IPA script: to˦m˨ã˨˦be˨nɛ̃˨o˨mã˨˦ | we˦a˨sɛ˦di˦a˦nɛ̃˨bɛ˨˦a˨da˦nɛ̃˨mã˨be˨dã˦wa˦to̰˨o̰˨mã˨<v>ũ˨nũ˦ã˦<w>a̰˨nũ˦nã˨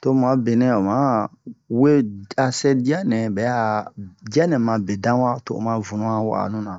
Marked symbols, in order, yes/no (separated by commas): yes, yes